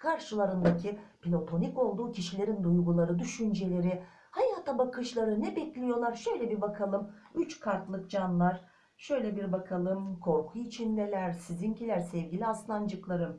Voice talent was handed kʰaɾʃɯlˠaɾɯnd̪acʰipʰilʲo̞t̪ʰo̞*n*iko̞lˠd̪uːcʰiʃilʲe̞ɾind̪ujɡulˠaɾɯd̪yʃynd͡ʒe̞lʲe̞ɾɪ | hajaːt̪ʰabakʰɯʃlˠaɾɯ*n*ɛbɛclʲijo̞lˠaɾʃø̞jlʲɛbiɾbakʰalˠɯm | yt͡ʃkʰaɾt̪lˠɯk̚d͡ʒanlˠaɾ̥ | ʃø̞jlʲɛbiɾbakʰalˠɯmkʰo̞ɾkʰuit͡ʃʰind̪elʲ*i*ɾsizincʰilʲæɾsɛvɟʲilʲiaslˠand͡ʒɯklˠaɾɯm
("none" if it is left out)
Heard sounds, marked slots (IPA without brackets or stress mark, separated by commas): n, n, æ